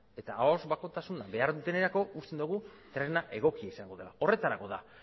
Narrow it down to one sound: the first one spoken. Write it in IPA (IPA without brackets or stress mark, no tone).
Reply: e̞